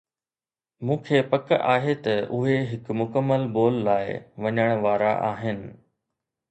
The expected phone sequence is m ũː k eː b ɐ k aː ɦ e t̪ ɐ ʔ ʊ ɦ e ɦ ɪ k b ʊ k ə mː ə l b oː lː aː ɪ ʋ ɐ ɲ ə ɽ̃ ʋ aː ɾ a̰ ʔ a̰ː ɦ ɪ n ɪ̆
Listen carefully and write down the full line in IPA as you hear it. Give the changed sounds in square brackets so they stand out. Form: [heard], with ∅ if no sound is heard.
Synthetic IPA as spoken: m ũː [kʰ] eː [p] ɐ k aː ɦ e t̪ ɐ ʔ ʊ ɦ e ɦ ɪ k [m] ʊ k ə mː ə l b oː lː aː ɪ ʋ ɐ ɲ ə ɽ̃ ʋ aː ɾ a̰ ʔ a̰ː ɦ ɪ n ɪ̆